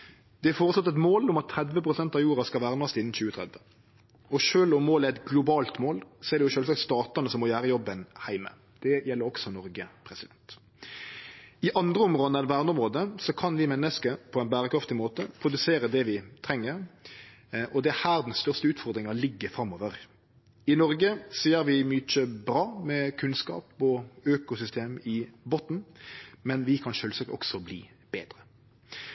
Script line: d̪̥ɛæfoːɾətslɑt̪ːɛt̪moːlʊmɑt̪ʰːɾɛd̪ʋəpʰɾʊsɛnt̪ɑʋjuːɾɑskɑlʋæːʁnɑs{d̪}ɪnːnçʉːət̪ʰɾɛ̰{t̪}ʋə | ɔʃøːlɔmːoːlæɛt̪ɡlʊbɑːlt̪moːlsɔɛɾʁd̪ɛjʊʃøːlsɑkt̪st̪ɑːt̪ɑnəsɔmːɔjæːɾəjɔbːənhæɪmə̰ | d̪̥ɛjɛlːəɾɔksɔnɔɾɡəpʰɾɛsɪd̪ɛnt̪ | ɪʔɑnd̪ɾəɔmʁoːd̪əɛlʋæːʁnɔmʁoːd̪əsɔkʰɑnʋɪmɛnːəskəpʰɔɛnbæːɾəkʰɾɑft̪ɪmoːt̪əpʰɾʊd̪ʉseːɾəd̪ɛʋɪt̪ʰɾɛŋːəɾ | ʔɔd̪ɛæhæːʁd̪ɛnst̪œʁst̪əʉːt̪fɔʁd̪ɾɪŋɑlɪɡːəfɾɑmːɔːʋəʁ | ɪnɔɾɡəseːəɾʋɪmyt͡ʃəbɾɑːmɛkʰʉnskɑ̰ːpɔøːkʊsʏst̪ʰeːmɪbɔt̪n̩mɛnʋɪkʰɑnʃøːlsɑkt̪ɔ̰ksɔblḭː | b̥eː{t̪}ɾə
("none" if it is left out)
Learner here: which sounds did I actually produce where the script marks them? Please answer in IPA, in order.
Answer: t̪, d̪, d̪

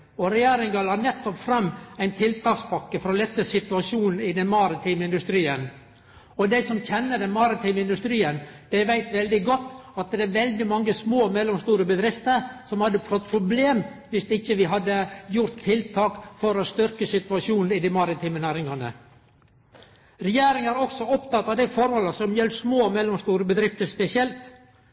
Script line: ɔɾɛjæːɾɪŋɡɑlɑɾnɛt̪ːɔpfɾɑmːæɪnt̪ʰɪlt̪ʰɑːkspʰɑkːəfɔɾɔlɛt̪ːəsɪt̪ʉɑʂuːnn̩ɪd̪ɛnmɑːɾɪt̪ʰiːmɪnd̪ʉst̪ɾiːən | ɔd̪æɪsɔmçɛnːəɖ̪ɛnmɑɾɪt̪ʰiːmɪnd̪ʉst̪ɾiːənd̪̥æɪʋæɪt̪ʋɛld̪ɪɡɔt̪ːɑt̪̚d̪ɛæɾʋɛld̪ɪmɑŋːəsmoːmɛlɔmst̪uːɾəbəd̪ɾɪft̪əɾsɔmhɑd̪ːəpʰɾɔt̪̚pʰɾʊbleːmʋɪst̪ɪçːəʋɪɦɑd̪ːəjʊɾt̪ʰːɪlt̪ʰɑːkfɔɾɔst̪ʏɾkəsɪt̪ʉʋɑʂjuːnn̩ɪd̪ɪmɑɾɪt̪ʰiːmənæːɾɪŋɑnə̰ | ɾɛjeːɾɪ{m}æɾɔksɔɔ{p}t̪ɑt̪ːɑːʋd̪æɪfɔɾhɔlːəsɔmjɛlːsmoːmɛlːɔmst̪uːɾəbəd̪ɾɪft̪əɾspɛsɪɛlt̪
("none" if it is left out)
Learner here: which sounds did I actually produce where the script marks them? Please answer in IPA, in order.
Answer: ŋ, p

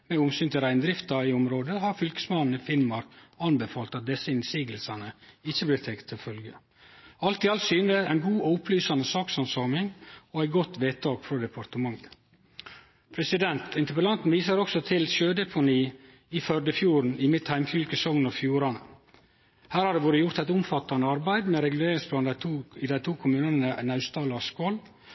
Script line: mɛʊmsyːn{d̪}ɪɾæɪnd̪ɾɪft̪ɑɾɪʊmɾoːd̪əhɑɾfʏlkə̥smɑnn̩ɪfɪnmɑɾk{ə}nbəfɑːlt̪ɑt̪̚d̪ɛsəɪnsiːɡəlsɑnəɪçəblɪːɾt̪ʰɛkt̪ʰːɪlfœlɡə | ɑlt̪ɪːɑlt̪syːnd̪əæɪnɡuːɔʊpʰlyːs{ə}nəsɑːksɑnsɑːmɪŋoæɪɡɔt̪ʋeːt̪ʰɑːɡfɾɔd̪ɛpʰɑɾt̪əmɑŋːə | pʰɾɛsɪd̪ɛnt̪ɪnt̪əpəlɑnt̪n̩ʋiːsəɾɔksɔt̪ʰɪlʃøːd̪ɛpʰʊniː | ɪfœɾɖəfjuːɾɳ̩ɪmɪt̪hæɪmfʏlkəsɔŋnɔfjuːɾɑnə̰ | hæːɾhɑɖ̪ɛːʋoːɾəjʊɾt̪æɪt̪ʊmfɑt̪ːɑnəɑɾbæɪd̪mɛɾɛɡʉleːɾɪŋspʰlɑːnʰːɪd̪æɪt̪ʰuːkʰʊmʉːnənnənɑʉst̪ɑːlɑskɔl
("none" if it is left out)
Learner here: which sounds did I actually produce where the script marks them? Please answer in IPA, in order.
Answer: t̪, ɑ, ɑ

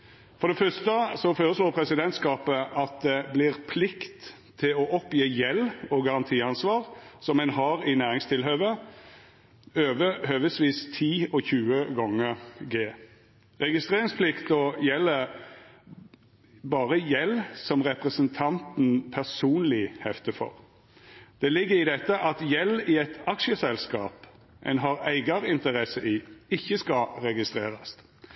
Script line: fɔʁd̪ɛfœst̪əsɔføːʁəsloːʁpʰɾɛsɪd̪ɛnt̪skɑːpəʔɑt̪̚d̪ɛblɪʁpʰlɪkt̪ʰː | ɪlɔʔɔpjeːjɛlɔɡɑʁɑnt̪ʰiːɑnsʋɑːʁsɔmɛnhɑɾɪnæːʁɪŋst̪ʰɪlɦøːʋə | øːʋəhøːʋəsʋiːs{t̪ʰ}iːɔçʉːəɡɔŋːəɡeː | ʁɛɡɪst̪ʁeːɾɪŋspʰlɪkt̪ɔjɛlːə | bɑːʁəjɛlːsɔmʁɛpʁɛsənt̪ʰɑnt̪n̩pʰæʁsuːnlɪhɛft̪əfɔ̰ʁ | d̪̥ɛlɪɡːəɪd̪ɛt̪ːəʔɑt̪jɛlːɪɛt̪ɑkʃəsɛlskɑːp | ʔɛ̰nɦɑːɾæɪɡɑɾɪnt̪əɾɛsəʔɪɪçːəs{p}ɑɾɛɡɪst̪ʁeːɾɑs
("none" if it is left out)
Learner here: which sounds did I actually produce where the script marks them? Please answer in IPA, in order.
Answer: t̪ʰ, k

